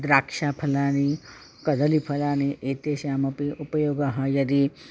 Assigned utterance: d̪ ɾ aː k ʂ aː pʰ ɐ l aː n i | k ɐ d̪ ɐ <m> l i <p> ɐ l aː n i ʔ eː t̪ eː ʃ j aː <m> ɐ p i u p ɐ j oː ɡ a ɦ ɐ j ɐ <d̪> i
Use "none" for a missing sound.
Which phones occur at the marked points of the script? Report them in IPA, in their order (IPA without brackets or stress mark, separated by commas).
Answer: none, pʰ, m, d̪